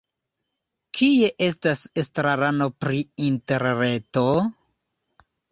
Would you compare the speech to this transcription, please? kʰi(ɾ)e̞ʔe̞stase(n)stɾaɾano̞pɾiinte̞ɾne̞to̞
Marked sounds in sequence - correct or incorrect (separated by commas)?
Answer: incorrect, incorrect